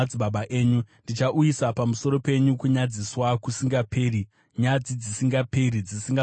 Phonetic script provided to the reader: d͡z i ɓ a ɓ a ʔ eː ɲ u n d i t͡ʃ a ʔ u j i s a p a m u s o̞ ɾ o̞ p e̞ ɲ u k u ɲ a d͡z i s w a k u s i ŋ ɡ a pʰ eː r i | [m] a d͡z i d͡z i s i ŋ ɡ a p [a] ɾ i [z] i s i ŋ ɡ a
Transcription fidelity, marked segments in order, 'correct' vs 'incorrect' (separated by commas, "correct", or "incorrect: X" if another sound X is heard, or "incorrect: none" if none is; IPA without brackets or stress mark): incorrect: ɲ, incorrect: e, incorrect: d͡z